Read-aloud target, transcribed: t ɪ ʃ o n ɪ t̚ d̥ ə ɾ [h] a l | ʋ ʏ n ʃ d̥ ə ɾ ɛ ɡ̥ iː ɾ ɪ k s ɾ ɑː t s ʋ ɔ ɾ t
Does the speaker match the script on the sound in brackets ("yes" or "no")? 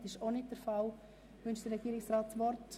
no